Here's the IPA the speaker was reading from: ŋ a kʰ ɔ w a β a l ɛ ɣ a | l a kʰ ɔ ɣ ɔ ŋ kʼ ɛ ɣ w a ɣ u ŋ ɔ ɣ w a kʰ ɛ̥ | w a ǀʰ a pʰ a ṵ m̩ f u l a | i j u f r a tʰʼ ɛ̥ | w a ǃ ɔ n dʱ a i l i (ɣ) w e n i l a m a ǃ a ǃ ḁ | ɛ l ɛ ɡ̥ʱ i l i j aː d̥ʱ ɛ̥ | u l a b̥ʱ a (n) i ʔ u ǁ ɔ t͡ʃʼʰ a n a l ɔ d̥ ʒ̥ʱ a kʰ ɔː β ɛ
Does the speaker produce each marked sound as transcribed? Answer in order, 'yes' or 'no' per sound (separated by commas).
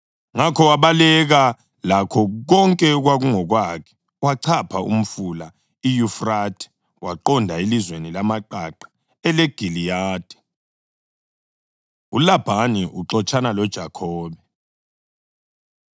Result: no, yes